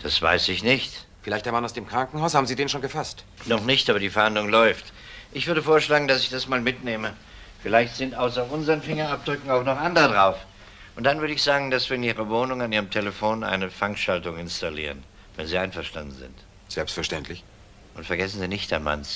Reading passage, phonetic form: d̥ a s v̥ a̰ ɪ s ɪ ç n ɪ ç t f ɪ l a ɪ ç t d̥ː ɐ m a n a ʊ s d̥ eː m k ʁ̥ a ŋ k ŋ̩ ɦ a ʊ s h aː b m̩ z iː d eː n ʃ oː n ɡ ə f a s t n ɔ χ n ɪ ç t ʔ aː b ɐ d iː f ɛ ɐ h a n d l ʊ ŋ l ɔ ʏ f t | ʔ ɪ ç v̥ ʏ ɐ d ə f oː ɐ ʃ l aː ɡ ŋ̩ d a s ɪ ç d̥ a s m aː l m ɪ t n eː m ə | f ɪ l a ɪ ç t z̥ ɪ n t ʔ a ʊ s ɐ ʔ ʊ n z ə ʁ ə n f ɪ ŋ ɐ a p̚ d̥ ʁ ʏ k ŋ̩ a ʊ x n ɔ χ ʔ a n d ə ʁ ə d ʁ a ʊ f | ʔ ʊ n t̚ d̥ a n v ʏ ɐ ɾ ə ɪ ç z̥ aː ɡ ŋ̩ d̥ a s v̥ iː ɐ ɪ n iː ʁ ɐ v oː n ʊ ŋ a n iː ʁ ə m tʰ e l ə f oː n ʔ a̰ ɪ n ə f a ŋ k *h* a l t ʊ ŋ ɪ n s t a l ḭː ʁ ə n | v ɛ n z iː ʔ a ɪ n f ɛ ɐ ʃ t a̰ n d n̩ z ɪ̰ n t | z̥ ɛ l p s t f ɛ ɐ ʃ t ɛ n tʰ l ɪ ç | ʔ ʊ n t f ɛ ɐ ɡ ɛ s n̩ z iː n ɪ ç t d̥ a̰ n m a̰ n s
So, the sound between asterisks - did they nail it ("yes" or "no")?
no